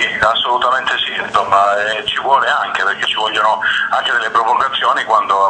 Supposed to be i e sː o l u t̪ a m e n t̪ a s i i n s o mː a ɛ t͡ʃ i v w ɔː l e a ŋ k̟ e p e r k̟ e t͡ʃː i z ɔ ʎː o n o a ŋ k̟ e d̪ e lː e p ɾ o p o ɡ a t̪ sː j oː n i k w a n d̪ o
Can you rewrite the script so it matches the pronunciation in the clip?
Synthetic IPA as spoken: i a sː o l u t̪ a m e n t̪ e s i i n s o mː a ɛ t͡ʃ i v w ɔː l e a ŋ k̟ e p e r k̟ e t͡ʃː i v ɔ ʎː o n o a ŋ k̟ e d̪ e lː e p ɾ o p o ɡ a t̪ sː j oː n i k w a n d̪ o